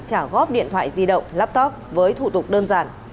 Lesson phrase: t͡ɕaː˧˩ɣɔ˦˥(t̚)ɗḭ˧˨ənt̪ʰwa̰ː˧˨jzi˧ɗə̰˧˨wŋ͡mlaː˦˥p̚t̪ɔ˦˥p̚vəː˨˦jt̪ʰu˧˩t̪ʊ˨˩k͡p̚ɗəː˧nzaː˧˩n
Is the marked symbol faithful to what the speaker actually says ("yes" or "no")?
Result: no